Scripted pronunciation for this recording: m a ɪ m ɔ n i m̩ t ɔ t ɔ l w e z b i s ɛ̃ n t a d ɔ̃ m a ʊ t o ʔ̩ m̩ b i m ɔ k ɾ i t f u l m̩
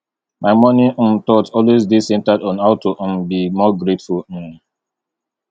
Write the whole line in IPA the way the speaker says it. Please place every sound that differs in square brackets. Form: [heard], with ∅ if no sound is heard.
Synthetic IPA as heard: m a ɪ m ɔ n i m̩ t ɔ t ɔ l w e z [d] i s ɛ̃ n t a d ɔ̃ [n] a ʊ t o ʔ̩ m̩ b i m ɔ [ɡ] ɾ [e] t f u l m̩